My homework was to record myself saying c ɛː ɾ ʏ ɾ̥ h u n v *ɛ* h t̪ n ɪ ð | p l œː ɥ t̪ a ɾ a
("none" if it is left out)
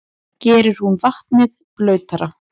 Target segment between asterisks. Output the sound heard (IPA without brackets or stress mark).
a